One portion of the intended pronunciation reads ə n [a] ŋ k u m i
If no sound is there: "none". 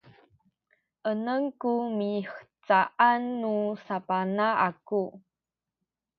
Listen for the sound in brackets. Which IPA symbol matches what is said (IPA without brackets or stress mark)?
ə